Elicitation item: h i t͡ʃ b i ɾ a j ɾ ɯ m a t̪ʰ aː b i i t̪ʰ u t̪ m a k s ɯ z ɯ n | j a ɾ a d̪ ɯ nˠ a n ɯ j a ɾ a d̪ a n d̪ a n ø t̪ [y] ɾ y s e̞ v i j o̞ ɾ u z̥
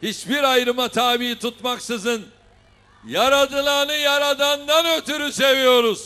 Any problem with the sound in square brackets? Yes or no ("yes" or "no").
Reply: no